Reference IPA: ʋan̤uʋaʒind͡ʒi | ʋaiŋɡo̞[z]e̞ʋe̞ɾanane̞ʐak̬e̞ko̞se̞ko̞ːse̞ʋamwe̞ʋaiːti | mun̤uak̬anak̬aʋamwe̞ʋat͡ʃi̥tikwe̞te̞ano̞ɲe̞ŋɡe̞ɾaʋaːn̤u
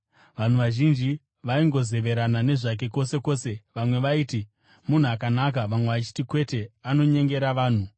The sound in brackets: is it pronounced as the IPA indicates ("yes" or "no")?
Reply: yes